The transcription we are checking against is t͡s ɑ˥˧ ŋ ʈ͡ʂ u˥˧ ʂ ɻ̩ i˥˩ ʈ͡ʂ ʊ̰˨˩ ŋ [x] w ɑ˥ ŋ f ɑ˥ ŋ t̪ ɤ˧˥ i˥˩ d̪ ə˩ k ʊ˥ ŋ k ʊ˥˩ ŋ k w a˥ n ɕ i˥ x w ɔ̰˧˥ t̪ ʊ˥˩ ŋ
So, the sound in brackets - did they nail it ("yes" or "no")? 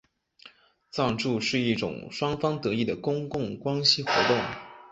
no